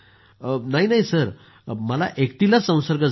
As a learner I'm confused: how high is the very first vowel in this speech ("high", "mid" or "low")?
low